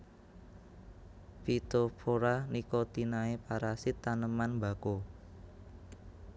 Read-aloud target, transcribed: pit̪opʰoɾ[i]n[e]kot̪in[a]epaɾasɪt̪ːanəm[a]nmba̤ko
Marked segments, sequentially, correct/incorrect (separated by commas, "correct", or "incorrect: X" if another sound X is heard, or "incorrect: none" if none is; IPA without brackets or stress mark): incorrect: a, incorrect: i, correct, correct